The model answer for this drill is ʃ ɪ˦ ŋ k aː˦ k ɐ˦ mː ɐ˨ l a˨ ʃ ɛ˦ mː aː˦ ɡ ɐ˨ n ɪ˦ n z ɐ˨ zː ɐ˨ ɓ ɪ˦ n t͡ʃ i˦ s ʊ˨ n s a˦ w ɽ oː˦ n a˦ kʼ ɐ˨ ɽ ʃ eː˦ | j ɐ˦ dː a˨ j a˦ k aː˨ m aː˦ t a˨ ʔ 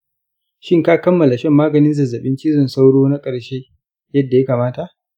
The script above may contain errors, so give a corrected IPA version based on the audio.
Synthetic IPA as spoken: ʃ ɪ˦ ŋ k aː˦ k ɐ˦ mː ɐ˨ l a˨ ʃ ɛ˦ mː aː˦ ɡ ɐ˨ n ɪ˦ n z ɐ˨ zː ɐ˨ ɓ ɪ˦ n t͡ʃ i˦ z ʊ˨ n s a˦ w ɽ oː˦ n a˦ kʼ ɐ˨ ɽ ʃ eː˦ | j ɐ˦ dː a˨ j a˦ k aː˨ m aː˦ t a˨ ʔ